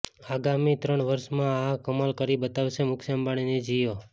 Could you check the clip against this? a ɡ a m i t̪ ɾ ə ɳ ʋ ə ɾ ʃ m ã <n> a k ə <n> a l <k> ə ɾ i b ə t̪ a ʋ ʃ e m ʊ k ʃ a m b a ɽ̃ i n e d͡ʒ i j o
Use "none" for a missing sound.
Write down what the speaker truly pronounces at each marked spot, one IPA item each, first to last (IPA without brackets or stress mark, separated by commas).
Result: none, m, k